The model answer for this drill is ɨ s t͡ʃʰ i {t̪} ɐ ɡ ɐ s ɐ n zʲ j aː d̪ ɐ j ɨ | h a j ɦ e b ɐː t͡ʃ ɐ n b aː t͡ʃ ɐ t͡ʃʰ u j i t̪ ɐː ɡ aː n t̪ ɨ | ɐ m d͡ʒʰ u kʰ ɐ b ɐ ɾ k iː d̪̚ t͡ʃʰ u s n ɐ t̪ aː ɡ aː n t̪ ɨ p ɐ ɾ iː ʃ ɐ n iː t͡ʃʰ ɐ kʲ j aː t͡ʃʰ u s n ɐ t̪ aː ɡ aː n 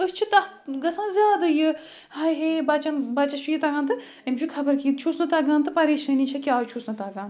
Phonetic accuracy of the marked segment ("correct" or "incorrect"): correct